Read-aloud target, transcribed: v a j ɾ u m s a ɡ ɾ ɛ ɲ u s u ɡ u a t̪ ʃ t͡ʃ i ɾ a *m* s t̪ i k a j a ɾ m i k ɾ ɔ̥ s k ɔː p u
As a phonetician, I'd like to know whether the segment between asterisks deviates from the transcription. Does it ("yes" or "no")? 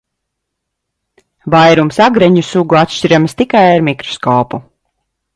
no